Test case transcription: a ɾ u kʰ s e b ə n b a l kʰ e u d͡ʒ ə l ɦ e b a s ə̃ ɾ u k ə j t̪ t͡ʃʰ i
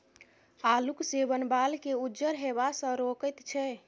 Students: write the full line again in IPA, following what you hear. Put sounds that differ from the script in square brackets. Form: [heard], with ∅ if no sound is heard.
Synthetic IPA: a [l] u [k] s e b ə n b a l [k] e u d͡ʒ ə [ɾ] ɦ e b a s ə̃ ɾ [o] k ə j t̪ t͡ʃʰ [ɛ]